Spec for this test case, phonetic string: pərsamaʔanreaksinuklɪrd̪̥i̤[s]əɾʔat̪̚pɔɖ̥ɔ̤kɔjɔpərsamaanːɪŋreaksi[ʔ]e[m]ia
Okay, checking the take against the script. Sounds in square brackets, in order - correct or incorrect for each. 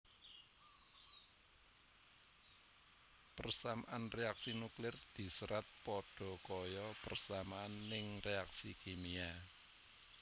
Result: correct, incorrect: k, correct

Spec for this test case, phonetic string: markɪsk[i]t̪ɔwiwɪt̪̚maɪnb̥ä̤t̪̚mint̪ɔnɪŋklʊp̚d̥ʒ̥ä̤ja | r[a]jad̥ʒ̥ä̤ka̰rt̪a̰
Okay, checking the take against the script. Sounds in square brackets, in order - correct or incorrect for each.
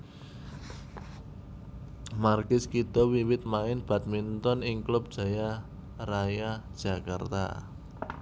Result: correct, correct

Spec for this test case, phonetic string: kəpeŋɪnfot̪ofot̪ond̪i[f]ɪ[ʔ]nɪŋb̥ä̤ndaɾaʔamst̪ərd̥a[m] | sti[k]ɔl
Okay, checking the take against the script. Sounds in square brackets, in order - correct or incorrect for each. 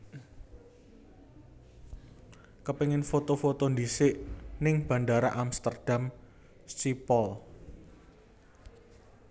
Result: incorrect: s, correct, correct, incorrect: p

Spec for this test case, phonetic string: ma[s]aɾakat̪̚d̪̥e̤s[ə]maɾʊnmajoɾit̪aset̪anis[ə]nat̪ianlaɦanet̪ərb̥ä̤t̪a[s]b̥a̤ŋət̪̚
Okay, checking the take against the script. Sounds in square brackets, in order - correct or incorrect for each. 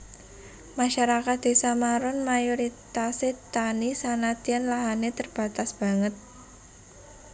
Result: incorrect: ʃ, incorrect: a, incorrect: a, correct

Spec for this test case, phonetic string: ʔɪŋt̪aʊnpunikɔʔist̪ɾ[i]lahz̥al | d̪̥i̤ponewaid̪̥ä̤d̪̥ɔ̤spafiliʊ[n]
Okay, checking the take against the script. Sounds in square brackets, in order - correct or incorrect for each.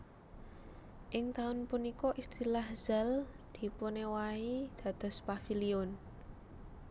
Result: correct, correct

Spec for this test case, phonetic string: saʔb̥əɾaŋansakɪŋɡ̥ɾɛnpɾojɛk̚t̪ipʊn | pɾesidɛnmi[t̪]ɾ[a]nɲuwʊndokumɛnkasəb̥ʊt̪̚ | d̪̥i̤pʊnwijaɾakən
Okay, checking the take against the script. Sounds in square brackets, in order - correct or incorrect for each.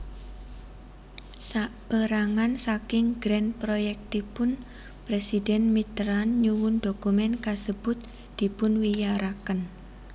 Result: correct, correct

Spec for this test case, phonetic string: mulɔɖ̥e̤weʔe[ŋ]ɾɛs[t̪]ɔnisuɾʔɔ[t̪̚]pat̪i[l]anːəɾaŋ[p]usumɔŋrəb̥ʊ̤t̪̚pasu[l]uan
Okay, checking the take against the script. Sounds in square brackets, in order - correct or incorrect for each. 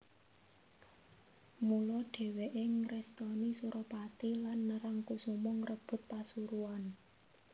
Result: correct, correct, incorrect: none, correct, incorrect: k, incorrect: ɾ

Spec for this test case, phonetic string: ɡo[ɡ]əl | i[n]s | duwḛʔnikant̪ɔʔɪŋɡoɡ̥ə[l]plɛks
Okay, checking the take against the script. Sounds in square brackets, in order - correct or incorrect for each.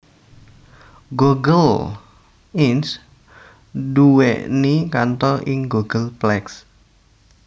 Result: correct, correct, correct

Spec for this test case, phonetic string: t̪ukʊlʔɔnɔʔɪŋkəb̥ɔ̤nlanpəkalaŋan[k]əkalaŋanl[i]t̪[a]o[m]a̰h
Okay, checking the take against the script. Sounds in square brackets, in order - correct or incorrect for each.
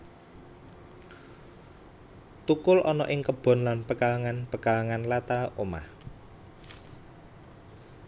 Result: incorrect: p, incorrect: a, correct, correct

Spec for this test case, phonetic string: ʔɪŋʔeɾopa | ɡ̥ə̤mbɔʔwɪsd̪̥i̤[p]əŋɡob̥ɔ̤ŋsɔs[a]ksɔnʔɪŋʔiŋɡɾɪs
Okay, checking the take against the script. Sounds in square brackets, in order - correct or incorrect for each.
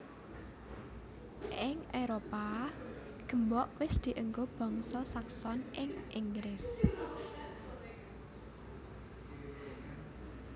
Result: incorrect: ʔ, correct

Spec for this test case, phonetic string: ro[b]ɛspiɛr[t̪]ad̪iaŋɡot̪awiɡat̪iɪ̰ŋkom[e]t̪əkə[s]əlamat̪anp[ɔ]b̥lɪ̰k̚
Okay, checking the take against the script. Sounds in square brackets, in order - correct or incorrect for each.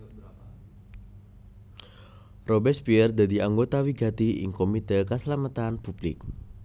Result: correct, incorrect: d̪, incorrect: i, correct, incorrect: u

